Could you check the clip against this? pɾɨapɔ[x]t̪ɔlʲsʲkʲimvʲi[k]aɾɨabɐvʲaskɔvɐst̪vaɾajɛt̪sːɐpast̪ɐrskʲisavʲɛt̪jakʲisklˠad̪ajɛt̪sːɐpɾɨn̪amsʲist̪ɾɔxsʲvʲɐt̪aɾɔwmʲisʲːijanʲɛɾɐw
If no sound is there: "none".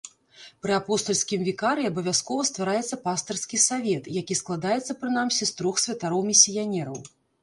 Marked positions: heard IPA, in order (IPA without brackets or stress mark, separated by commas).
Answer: s, k